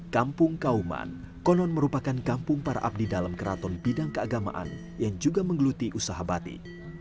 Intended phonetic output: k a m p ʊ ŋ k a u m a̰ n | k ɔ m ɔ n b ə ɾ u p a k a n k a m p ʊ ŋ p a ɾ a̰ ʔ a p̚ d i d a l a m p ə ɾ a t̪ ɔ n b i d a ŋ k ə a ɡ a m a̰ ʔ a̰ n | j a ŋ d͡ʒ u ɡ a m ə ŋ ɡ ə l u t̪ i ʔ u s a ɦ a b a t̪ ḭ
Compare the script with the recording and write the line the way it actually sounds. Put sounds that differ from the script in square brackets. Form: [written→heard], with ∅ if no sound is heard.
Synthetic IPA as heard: k a m p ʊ ŋ k a u m a̰ n | k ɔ [m→n] ɔ n [b→m] ə ɾ u p a k a n k a m p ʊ ŋ p a ɾ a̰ ʔ a p̚ d i d a l a m [p→k] ə ɾ a t̪ ɔ n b i d a ŋ k ə a ɡ a m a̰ ʔ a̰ n | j a ŋ d͡ʒ u ɡ a m ə ŋ ɡ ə l u t̪ i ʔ u s a ɦ a b a t̪ ḭ